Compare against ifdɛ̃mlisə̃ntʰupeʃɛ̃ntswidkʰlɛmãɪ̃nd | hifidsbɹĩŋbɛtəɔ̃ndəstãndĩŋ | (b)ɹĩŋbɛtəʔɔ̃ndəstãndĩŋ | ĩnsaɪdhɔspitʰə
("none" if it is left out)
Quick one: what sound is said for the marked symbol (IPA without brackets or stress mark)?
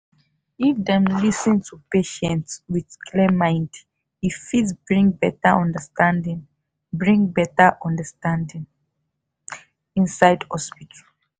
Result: b